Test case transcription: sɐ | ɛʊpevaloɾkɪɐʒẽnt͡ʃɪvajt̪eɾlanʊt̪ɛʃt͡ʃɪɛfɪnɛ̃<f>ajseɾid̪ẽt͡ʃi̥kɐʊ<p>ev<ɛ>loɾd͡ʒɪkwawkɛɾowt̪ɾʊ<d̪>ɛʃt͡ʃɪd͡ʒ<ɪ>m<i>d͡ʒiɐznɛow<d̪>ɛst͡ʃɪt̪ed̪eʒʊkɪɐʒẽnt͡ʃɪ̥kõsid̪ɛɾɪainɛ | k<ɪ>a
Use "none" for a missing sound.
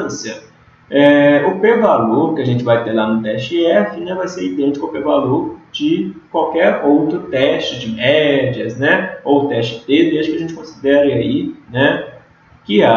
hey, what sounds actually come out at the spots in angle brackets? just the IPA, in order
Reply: v, p, a, t̪, ɪ, ɛ, t̪, ɪ

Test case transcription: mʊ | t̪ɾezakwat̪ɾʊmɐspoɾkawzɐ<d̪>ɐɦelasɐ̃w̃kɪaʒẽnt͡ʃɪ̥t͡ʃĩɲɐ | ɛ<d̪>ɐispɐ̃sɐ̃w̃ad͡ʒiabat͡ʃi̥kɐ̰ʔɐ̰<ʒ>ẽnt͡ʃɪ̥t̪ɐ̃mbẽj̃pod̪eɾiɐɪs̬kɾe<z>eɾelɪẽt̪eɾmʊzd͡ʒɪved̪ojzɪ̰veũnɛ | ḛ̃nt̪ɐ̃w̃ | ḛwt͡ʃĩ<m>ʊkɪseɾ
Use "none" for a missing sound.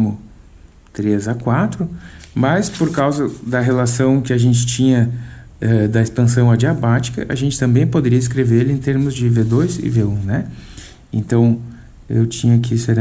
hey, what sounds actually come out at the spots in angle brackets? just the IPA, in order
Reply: d̪, d̪, ʒ, v, ɲ

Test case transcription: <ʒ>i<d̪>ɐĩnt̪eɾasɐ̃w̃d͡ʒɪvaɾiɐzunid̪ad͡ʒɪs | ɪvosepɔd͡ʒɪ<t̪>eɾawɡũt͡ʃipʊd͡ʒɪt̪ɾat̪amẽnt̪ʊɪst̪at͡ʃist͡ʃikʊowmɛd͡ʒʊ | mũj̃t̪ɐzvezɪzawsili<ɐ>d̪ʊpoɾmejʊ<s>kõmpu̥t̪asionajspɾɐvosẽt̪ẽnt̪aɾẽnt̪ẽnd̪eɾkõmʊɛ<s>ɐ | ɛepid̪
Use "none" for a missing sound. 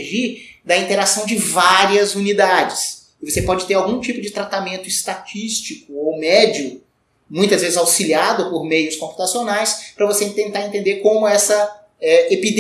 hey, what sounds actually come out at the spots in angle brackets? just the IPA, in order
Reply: ʒ, d̪, t̪, a, s, s

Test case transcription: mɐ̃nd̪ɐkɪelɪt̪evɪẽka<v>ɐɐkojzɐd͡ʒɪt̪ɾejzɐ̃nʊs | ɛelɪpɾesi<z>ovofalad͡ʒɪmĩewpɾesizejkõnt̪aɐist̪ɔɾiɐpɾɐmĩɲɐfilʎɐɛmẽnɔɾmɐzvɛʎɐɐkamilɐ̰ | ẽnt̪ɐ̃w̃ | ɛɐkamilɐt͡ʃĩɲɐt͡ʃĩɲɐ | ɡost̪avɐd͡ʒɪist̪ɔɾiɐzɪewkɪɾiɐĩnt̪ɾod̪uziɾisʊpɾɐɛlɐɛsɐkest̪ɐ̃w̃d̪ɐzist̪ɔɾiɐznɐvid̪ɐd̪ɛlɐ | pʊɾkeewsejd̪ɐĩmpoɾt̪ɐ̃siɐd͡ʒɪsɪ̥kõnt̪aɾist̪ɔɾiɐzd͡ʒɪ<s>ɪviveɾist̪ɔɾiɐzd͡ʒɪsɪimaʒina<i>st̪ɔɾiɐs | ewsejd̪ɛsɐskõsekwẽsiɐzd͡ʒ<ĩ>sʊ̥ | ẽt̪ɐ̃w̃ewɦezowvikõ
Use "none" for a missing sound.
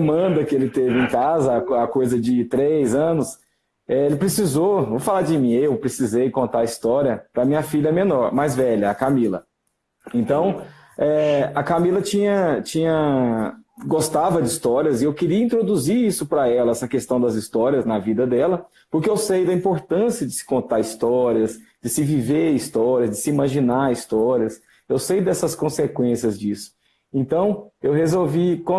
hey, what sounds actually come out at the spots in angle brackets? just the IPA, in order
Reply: z, z, s, i, i

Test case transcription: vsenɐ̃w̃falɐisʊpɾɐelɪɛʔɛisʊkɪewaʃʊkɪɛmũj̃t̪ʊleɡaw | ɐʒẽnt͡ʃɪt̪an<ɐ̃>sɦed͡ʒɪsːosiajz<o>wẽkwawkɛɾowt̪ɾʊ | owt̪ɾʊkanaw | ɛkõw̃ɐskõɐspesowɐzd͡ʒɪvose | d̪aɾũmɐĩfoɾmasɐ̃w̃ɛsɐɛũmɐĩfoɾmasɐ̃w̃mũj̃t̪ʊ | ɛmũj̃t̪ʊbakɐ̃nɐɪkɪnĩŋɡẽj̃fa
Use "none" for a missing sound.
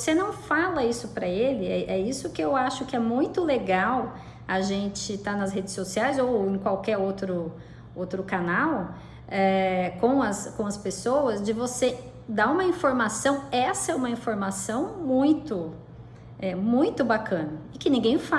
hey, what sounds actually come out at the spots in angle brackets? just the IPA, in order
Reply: ɐ, o

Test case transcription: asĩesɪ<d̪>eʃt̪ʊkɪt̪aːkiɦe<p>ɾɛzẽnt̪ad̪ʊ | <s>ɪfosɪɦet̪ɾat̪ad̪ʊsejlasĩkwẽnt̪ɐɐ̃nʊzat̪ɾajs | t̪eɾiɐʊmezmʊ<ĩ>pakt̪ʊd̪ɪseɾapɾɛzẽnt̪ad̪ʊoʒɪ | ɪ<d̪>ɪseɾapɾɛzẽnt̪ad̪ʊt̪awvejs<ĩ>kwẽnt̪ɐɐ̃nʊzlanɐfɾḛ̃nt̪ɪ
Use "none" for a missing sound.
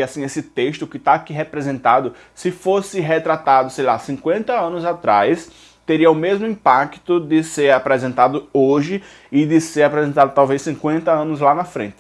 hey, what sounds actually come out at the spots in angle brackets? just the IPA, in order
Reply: t̪, p, s, ĩ, d̪, ĩ

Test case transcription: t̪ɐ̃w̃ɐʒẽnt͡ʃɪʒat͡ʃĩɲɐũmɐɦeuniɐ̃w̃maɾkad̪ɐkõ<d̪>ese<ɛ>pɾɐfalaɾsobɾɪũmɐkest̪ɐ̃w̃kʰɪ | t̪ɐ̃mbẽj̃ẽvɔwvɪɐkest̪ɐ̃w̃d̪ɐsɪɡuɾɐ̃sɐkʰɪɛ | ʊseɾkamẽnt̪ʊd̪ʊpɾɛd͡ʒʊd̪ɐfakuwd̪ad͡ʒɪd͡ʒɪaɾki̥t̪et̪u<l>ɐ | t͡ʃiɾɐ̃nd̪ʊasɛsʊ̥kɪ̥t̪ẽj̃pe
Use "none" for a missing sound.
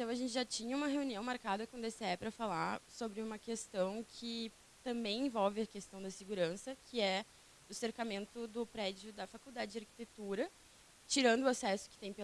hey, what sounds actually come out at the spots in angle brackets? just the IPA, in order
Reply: d̪, ɛ, ɾ

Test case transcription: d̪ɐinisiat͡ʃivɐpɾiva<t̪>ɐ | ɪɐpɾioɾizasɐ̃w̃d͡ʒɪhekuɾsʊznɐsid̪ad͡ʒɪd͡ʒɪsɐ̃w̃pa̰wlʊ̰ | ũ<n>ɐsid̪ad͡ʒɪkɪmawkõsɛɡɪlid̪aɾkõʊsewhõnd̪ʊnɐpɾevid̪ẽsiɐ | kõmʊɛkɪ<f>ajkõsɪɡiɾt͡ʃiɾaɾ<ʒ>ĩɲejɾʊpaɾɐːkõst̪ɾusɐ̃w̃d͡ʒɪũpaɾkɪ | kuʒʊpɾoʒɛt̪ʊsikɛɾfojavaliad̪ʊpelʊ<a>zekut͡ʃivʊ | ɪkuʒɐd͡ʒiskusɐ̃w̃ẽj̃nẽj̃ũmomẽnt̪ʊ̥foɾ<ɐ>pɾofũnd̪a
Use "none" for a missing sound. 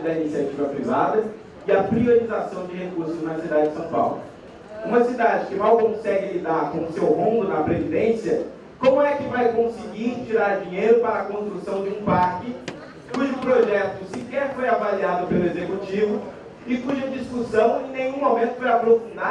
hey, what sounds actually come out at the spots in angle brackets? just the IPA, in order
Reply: d̪, m, v, d͡ʒ, e, a

